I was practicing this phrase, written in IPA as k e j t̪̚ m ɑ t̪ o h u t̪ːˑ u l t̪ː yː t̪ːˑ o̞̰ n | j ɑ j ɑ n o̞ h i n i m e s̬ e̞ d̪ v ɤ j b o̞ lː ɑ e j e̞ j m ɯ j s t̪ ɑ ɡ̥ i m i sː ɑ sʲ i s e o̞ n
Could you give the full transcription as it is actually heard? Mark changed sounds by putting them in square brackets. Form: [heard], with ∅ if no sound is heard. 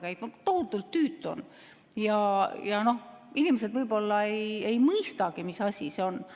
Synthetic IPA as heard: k [æ] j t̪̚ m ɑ t̪ o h u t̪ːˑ u l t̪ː yː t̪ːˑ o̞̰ n | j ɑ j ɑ n o̞ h i n i m e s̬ e̞ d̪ v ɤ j b o̞ lː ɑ e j e̞ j m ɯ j s t̪ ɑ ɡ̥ i m i [s] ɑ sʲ i s e o̞ n